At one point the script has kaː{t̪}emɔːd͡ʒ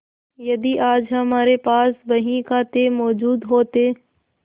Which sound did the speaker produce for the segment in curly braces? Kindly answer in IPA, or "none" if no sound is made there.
t̪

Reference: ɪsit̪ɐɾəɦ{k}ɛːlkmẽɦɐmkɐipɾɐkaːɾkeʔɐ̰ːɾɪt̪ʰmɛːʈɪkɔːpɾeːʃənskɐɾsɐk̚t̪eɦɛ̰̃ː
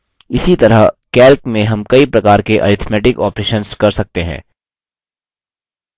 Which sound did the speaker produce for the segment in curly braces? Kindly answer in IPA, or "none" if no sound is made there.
k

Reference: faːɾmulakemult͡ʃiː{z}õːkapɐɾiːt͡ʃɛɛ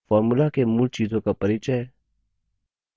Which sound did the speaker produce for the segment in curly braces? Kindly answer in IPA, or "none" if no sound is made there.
z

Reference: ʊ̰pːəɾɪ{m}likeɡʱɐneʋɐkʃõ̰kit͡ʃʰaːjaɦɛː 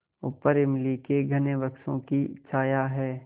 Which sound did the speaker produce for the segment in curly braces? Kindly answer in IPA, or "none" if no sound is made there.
m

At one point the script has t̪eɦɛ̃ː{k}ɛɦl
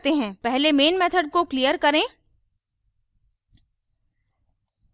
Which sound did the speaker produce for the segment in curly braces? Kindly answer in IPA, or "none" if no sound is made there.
p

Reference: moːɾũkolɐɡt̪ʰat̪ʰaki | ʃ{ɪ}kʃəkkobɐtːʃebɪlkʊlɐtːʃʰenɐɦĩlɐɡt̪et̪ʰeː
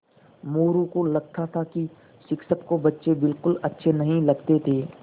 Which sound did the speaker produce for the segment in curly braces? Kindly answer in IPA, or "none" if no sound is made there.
ɪ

